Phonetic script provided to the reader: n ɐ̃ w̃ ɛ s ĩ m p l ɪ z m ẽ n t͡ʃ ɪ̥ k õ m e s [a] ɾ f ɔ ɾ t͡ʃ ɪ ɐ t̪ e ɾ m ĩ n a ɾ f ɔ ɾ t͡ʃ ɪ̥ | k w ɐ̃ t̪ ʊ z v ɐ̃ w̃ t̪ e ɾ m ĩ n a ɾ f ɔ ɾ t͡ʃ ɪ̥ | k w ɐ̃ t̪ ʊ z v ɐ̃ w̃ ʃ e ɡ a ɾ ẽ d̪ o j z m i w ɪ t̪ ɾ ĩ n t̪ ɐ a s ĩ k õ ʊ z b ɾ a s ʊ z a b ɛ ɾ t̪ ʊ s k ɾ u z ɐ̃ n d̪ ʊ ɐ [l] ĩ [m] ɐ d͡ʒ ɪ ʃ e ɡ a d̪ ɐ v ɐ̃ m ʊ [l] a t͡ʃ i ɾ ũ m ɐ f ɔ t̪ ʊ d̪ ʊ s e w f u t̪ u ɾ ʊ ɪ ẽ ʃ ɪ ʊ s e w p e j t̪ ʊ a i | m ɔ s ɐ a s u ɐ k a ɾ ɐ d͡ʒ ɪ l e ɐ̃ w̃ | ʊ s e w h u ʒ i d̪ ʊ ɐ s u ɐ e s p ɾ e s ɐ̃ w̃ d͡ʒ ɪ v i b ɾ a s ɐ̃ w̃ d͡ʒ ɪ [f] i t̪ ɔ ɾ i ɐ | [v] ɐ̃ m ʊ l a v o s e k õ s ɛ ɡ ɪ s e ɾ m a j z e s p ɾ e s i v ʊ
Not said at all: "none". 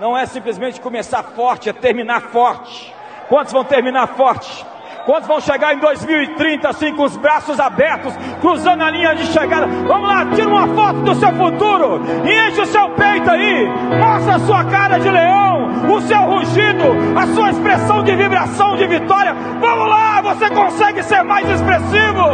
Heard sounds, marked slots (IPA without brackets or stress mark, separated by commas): a, l, ɲ, l, v, v